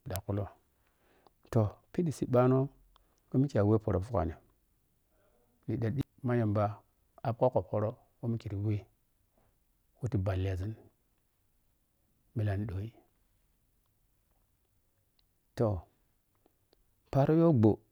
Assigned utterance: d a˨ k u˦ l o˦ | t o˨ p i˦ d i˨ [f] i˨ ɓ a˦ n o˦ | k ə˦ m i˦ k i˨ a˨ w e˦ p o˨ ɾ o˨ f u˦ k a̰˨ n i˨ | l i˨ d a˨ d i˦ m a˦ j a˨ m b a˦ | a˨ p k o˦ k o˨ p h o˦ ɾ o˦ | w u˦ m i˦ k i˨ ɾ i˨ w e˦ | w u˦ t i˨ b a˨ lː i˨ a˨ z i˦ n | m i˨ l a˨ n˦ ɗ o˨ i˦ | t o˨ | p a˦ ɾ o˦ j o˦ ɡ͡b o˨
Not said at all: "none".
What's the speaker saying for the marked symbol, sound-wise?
s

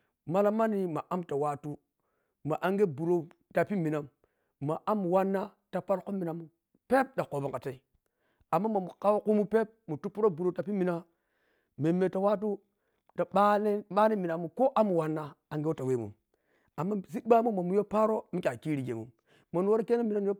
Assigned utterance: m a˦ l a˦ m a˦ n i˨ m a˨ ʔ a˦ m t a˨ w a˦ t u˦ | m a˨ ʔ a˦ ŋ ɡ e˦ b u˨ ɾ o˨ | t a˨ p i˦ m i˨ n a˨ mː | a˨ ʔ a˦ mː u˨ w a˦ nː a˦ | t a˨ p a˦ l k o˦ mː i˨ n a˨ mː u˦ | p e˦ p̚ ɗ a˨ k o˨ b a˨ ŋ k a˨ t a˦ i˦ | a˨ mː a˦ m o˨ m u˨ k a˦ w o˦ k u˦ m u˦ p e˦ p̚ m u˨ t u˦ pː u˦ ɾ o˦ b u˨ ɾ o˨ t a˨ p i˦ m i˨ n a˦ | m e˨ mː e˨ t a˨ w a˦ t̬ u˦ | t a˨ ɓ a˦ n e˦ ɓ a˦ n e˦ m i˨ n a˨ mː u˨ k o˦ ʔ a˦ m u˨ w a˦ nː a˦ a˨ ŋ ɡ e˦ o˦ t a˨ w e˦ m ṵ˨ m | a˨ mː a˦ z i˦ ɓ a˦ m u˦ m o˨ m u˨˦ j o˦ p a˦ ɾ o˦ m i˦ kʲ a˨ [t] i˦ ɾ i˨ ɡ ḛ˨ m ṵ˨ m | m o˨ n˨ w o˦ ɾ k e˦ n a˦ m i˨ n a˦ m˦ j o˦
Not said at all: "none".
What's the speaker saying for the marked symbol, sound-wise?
k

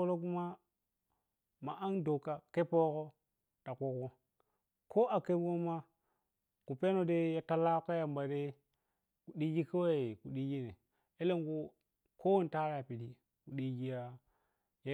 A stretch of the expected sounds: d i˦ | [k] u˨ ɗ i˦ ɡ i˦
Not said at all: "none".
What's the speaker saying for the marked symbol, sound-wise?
k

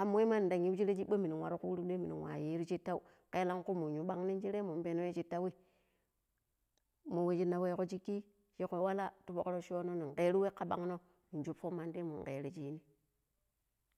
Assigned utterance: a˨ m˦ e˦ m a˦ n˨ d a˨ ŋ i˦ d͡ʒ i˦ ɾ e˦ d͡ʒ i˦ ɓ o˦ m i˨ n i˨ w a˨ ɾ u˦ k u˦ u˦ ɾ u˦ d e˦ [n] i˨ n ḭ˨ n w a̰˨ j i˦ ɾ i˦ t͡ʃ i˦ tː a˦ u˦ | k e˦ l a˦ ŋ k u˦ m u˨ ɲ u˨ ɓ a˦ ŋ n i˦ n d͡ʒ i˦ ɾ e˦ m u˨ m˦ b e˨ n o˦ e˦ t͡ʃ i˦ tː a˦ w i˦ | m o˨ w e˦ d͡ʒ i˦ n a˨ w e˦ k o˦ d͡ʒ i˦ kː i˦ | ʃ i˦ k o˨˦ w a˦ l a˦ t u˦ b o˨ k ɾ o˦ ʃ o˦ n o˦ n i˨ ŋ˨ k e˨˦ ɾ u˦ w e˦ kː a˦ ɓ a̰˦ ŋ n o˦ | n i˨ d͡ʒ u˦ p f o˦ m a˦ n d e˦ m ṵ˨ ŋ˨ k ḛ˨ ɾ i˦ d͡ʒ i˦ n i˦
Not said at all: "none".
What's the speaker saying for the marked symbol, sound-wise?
m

